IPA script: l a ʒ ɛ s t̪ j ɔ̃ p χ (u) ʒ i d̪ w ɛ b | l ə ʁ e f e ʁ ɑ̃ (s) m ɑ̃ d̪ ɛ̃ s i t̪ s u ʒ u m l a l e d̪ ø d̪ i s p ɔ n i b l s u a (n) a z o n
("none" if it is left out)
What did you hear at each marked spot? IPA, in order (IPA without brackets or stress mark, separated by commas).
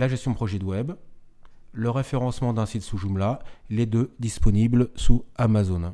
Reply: ɔ, s, m